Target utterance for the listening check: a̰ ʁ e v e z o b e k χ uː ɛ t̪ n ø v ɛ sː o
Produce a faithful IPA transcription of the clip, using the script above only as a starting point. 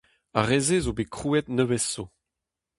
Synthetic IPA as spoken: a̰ ʁ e z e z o b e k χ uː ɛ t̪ n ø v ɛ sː o

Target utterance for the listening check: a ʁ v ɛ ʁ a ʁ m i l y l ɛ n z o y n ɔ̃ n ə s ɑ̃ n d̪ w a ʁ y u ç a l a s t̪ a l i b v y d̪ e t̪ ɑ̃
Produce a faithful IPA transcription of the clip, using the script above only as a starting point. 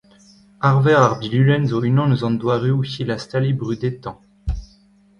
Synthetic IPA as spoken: a ʁ v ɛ ʁ a ʁ b i l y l ɛ n z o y n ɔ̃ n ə z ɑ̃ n d̪ w a ʁ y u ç i l a s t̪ a l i b ʁ y d̪ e t̪ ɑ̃

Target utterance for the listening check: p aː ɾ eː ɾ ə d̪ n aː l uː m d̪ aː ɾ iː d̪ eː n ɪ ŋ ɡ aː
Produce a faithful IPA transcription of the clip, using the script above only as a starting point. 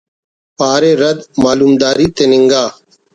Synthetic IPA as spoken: p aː ɾ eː ɾ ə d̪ m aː l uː m d̪ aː ɾ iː t̪ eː n ɪ ŋ ɡ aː

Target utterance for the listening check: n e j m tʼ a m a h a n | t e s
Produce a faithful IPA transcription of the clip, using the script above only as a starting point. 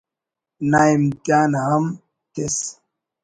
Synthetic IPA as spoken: n a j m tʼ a n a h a m | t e s

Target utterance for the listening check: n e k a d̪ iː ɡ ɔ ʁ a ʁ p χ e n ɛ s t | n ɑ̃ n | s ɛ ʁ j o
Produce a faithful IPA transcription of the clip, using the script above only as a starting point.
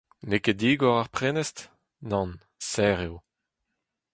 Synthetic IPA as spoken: n e k e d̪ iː ɡ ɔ ʁ a ʁ p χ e n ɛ s t | n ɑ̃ n | s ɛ ʁ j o

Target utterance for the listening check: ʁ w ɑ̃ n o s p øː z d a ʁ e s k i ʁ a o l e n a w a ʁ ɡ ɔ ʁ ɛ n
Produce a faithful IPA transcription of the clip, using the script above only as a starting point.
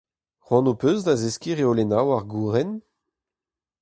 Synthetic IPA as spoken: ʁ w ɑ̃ n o p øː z d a z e s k i ʁ e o l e n a w a ʁ ɡ u ʁ ɛ n

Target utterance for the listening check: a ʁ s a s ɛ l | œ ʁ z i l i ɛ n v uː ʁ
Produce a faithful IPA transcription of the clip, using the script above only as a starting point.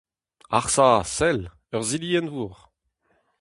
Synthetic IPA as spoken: a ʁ s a s ɛ l | œ ʁ z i l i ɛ n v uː ʁ

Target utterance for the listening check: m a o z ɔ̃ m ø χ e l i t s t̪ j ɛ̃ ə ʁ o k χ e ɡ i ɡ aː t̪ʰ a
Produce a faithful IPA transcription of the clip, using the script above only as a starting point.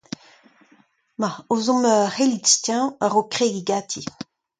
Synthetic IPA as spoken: m a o z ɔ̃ m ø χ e l i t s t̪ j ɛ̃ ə ʁ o k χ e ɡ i ɡ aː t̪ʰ i

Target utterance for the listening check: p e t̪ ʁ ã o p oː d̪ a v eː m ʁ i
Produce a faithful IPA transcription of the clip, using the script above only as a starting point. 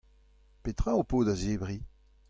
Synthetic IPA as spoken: p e t̪ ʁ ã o p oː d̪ a z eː b ʁ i

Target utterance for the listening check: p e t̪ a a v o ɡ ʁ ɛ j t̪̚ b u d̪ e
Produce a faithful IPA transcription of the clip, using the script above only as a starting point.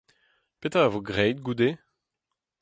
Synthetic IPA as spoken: p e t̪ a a v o ɡ ʁ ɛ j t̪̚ ɡ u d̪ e

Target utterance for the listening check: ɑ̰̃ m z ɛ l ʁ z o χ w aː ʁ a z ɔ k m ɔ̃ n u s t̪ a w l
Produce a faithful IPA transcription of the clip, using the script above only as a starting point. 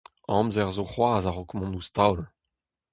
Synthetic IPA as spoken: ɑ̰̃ m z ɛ ʁ z o χ w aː z a ʁ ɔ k m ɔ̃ n u s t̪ a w l

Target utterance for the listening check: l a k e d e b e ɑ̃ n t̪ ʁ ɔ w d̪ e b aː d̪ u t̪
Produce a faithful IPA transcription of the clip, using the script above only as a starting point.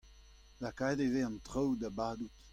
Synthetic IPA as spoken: l a k a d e v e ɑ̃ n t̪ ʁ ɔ w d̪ a b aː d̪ u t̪

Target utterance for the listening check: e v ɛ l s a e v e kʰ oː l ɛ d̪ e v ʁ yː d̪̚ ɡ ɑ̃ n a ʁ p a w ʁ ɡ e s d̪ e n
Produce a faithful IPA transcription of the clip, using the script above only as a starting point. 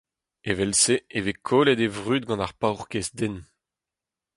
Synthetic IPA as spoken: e v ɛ l s e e v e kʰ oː l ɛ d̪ e v ʁ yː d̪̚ ɡ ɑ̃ n a ʁ p a w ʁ k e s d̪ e n

